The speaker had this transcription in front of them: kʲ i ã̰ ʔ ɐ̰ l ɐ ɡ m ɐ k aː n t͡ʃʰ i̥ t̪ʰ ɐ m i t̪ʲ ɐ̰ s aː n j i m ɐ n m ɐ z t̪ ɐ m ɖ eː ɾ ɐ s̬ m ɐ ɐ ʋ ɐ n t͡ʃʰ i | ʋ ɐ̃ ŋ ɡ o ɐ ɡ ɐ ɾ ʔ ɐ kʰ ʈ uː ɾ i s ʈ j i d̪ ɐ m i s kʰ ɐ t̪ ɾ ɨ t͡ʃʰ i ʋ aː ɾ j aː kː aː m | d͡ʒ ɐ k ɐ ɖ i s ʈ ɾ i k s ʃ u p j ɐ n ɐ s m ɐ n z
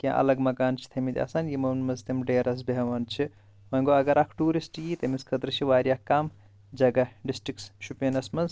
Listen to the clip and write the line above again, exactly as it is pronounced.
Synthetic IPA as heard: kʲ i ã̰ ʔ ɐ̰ l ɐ ɡ m ɐ k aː n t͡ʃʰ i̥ t̪ʰ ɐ m i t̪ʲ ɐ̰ s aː n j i m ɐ n m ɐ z t̪ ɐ m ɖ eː ɾ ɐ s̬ b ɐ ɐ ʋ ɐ n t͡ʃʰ i | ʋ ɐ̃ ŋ ɡ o ɐ ɡ ɐ ɾ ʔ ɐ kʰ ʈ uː ɾ i s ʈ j i t̪ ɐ m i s kʰ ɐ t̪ ɾ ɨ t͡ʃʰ i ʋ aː ɾ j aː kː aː m | d͡ʒ ɐ ɡ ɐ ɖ i s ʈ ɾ i k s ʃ u p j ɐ n ɐ s m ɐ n z